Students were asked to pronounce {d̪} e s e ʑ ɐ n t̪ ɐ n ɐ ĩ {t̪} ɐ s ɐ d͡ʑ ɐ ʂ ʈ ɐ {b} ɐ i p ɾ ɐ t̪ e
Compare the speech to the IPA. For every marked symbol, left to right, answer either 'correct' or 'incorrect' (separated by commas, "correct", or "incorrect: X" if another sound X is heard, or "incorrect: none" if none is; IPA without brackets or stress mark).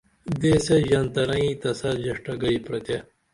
correct, correct, incorrect: ɡ